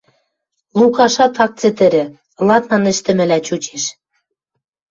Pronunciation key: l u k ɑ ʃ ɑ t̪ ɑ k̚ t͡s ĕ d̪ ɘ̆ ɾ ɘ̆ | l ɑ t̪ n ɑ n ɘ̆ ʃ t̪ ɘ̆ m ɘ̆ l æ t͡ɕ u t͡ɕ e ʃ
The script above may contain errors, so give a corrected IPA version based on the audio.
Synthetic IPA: l u k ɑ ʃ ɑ t̪ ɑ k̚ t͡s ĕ t̪ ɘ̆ ɾ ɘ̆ | l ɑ t̪ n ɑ n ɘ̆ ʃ t̪ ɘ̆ m ɘ̆ l æ t͡ɕ u t͡ɕ e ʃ